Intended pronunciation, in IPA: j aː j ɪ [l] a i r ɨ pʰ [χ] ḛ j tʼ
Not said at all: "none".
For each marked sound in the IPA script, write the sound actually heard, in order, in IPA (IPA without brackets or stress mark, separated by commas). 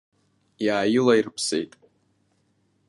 l, s